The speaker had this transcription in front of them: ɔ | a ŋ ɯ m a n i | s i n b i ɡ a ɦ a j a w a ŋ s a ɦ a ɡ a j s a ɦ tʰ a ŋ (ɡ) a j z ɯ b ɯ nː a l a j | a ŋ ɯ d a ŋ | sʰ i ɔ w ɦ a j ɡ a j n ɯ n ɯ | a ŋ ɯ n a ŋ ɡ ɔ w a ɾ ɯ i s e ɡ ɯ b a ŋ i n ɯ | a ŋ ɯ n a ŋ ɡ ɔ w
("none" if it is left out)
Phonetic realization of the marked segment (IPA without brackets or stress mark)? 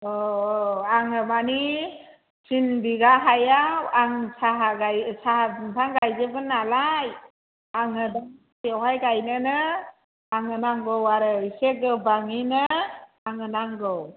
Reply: ɡ